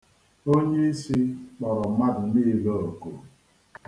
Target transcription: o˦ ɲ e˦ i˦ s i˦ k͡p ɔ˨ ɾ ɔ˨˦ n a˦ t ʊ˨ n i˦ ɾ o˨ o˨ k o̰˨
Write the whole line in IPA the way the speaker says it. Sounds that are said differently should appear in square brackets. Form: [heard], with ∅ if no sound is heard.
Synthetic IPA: o˦ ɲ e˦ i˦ s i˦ k͡p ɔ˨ ɾ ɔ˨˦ [m] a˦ [d] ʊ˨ n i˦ [l] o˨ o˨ k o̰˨